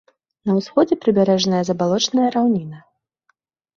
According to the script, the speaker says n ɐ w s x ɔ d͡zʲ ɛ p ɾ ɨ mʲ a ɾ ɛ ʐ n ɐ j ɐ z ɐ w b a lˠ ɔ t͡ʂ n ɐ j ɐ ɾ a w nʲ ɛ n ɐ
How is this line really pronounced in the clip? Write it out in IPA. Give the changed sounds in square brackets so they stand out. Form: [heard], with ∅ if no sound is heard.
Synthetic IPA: n ɐ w s x ɔ d͡zʲ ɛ p ɾ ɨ [bʲ] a ɾ ɛ ʐ n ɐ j ɐ z ɐ [∅] b a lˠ ɔ t͡ʂ n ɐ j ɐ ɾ a w nʲ [i] n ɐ